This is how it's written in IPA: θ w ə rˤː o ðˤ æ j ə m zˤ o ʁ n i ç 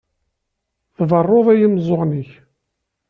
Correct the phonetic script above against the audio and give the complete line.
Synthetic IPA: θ v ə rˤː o ðˤ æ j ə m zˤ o ʁ n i ç

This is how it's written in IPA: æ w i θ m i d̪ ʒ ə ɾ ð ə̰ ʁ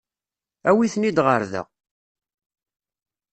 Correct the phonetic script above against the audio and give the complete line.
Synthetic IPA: æ w i θ n i d̪ ʁ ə ɾ ð ə̰ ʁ

